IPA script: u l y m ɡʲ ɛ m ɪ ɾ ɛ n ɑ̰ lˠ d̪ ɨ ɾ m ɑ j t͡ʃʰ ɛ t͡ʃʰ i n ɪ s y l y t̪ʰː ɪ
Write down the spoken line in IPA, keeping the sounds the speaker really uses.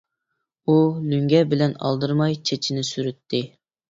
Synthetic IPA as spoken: u l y ŋ ɡʲ ɛ b ɪ l ɛ n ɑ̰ lˠ d̪ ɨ ɾ m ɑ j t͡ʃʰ e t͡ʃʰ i n ɪ s y ɾ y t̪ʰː ɪ

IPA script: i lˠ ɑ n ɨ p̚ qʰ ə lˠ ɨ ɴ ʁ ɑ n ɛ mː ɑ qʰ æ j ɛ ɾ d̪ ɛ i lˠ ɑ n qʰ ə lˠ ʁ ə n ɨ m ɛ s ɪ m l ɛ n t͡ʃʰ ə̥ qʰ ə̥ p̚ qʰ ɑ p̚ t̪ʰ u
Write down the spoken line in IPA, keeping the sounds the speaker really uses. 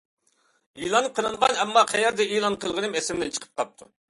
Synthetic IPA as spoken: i lˠ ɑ n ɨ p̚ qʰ ə lˠ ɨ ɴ ʁ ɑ n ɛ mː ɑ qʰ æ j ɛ ɾ d̪ ɛ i lˠ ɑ n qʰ ə lˠ ʁ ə n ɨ m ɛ s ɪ m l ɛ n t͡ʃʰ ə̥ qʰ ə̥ p̚ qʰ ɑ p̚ t̪ʰ u

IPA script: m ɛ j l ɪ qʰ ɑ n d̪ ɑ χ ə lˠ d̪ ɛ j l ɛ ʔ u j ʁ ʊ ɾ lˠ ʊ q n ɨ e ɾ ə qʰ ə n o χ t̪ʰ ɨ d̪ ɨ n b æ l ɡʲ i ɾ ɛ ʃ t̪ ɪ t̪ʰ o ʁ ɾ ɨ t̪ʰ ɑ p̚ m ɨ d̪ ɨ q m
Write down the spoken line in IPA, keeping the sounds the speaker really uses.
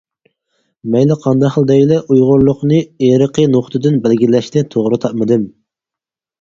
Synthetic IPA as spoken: m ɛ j l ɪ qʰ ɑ n d̪ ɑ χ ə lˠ d̪ ɛ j l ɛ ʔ u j ʁ ʊ ɾ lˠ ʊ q n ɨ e ɾ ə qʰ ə n o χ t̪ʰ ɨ d̪ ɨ n b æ l ɡʲ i l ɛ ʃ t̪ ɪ t̪ʰ o ʁ ɾ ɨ t̪ʰ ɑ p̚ m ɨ d̪ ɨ m

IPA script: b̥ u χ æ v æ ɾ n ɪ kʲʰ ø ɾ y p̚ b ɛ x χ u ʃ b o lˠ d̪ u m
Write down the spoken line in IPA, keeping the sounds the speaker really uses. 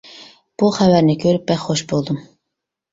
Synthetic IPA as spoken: b̥ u χ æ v æ ɾ n ɪ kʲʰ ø ɾ y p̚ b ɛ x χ o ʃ b o lˠ d̪ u m

